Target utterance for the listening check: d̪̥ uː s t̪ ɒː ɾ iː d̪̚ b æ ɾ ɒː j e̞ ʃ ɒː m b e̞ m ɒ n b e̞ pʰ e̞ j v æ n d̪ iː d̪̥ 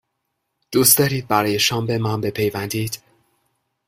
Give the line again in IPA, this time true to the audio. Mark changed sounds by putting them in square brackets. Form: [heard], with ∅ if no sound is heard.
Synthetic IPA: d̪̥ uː s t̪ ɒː ɾ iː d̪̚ b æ ɾ ɒː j e̞ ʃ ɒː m b e̞ m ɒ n b e̞ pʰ e̞ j v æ n d̪ iː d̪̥